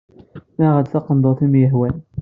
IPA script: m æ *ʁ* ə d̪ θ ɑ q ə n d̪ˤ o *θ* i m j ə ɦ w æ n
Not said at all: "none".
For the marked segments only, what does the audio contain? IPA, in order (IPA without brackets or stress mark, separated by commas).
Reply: ʁ, θ